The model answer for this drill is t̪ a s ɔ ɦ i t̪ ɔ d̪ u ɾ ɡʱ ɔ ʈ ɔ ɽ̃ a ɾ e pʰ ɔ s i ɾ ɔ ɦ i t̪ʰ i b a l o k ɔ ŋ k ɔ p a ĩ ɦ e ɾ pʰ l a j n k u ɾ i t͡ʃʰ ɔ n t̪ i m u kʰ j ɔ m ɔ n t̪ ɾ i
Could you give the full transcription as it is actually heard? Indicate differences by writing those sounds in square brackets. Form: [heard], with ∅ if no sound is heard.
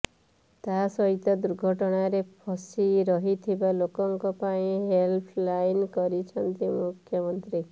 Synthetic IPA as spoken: t̪ a s ɔ ɦ i t̪ ɔ d̪ u ɾ ɡʱ ɔ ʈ ɔ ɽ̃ a ɾ e pʰ ɔ s i ɾ ɔ ɦ i t̪ʰ i b a l o k ɔ ŋ k ɔ p a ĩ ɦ e [l] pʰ l a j n k [ɔ] ɾ i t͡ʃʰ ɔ n t̪ i m u kʰ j ɔ m ɔ n t̪ ɾ i